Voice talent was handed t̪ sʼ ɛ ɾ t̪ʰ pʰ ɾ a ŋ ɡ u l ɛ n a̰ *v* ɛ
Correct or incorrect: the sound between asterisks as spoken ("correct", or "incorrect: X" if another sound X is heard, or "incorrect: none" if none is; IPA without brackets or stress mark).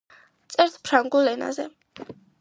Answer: incorrect: z